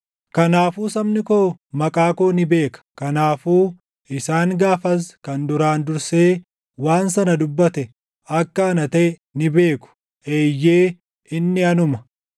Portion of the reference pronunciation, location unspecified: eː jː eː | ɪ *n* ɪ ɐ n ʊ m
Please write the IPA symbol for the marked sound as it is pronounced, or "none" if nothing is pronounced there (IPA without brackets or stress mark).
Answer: nː